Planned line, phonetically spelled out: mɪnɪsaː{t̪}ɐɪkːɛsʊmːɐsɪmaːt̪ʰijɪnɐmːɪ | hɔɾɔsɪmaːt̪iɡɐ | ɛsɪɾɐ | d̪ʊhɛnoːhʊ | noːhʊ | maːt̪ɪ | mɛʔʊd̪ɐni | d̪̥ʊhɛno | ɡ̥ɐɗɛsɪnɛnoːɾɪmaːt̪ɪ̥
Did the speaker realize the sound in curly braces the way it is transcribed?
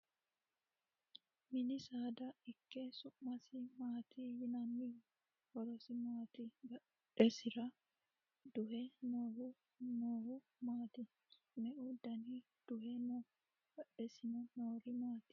no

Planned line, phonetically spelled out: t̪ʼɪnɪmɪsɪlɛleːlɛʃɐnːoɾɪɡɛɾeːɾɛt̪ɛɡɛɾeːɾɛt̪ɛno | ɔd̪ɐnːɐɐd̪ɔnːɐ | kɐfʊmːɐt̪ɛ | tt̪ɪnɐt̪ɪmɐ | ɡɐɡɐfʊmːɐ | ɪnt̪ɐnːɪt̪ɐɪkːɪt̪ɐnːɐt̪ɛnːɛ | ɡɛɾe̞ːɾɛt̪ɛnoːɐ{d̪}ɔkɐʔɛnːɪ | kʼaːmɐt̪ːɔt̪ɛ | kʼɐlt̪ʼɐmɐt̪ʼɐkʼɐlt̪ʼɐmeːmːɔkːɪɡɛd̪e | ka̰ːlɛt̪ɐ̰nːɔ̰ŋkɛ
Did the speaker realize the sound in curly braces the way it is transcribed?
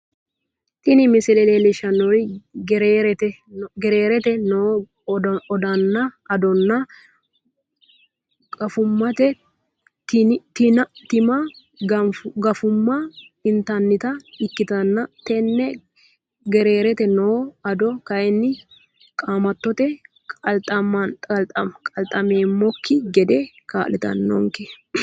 yes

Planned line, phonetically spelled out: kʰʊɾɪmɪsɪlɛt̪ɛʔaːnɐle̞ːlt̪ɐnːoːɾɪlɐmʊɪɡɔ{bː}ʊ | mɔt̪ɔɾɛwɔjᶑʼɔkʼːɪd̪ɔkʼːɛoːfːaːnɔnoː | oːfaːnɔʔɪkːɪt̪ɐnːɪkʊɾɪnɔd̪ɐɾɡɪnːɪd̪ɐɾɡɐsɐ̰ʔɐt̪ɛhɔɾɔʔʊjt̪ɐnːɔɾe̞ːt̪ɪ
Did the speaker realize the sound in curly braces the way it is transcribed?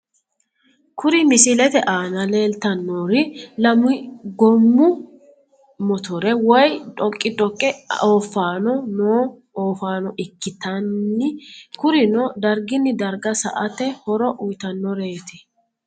no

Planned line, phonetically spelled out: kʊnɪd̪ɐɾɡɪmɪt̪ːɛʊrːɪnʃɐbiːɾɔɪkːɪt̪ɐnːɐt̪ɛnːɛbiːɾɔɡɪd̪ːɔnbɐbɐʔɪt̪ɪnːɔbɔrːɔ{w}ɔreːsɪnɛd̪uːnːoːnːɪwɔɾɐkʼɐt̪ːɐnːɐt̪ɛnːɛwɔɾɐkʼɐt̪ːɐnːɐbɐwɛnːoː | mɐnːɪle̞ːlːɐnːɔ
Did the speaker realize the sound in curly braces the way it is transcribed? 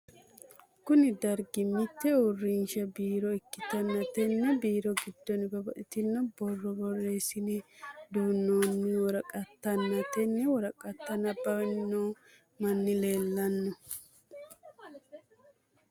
no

